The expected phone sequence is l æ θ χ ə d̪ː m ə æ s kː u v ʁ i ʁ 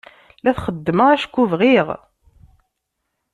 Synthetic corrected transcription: l æ θ χ ə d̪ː m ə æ ʃ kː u v ʁ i ʁ